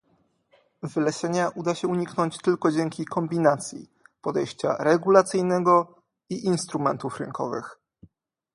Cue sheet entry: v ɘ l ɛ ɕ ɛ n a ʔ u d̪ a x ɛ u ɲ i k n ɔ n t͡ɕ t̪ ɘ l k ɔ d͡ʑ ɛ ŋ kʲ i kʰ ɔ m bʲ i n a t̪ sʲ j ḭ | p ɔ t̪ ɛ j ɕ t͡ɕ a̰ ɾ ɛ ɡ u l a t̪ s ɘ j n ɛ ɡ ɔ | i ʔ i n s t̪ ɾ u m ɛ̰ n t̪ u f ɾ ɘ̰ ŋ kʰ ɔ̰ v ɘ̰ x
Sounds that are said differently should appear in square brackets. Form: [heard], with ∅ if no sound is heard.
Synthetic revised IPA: v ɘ l ɛ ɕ ɛ [ɲ] a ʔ u d̪ a [ɕ] ɛ u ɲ i k n ɔ [ɲ] t͡ɕ t̪ ɘ l k ɔ d͡ʑ ɛ ŋ kʲ i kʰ ɔ m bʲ i n a t̪ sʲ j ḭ | p ɔ [d̪] ɛ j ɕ t͡ɕ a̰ ɾ ɛ ɡ u l a t̪ s ɘ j n ɛ ɡ ɔ | i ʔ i n s t̪ ɾ u m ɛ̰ n t̪ u f ɾ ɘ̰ ŋ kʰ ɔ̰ v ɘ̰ x